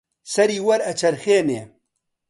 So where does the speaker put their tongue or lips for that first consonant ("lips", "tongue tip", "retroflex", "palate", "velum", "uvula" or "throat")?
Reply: tongue tip